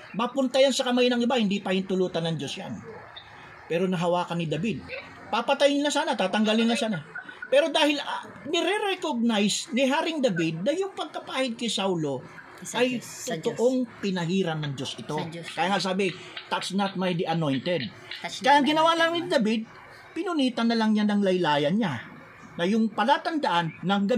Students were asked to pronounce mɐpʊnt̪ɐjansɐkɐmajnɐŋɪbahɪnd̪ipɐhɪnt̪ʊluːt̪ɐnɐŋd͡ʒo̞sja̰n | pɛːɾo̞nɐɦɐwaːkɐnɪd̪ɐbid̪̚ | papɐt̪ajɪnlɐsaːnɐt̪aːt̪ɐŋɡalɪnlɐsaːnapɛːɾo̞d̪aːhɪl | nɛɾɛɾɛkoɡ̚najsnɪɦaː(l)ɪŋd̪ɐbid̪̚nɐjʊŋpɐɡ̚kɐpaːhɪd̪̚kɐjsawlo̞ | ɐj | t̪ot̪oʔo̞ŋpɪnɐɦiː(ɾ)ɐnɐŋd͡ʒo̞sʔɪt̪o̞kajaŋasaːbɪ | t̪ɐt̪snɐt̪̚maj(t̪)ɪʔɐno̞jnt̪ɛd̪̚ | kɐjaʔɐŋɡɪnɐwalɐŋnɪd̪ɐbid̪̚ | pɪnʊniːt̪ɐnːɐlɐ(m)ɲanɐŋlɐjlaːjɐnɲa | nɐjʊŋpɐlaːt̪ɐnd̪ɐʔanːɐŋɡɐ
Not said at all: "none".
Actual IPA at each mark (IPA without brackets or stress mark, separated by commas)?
ɾ, ɾ, d̪, ŋ